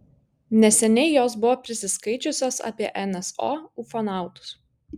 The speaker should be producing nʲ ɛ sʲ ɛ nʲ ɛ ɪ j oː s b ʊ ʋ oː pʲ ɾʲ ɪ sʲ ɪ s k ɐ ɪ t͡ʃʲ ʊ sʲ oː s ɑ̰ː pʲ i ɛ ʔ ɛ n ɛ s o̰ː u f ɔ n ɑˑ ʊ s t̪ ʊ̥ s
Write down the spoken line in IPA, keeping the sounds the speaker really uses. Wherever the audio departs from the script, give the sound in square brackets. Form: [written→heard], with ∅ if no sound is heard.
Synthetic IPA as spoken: nʲ ɛ sʲ ɛ nʲ ɛ ɪ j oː s b ʊ ʋ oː pʲ ɾʲ ɪ sʲ ɪ s k ɐ ɪ t͡ʃʲ ʊ sʲ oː s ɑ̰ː pʲ i ɛ ʔ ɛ n ɛ s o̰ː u f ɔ n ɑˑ ʊ [s→∅] t̪ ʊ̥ s